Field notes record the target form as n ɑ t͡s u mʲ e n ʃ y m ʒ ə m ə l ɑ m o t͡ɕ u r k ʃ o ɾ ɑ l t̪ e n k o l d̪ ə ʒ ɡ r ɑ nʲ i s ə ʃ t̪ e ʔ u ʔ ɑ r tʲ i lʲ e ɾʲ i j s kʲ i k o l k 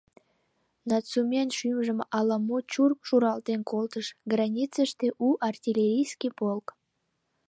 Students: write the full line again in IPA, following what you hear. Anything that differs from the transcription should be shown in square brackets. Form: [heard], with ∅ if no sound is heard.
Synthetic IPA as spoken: n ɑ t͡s u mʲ e n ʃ y m ʒ ə m [ɑ] l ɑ m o t͡ɕ u r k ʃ [u] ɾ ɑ l t̪ e n k o l [t̪] ə [ʃ] ɡ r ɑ nʲ i [t͡s] ə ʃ t̪ e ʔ u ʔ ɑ r tʲ i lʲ e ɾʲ i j s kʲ i [p] o l k